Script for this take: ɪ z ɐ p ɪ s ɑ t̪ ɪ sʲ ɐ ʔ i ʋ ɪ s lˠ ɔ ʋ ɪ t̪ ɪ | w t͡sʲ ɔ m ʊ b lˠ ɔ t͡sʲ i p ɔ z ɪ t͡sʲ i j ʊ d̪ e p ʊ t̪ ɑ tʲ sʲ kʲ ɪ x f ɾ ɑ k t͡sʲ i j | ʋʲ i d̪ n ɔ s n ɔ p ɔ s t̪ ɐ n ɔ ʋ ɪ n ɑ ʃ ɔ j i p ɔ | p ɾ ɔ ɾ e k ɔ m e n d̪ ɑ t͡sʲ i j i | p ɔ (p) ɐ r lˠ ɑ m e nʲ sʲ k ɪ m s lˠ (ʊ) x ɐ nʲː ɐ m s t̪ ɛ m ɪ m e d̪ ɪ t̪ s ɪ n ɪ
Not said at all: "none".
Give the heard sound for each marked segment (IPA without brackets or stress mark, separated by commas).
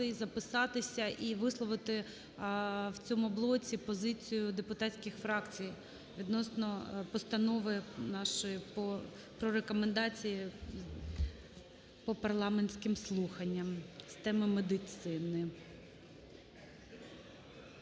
p, u